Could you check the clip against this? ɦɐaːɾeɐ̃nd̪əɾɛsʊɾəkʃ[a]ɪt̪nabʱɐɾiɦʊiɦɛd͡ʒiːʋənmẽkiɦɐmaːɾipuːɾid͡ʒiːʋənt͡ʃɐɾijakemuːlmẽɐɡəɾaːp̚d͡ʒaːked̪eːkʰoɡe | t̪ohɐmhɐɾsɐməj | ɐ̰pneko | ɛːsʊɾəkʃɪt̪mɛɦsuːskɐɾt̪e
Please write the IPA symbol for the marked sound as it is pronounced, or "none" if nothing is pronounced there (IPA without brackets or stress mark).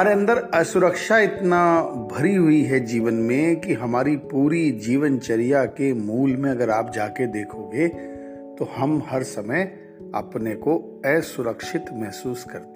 a